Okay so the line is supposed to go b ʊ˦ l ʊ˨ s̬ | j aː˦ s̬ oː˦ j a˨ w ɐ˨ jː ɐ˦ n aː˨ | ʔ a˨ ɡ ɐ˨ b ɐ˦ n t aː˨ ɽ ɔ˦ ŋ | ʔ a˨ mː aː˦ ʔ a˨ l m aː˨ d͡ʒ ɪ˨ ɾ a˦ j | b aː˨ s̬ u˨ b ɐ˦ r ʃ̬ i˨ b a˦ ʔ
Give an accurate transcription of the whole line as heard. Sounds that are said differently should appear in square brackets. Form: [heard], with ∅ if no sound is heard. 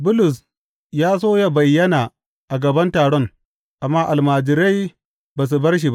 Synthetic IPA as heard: b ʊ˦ l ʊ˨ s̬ | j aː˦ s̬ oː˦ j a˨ [b] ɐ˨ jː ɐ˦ n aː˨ | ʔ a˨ ɡ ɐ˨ b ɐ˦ n t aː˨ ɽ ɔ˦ ŋ | ʔ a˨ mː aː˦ ʔ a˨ l m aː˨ d͡ʒ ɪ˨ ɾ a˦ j | b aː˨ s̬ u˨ b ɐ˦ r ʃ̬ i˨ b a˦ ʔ